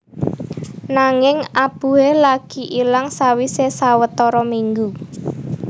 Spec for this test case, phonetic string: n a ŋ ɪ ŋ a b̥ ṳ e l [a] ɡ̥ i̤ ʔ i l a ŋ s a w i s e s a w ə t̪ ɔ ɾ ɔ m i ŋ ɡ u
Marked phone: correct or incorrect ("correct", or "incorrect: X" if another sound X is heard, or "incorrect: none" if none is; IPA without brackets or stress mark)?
correct